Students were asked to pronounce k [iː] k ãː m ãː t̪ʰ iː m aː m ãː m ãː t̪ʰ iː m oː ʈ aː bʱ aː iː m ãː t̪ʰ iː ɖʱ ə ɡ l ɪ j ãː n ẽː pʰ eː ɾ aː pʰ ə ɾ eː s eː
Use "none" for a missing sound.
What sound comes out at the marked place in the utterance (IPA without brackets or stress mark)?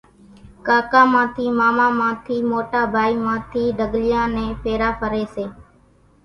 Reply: aː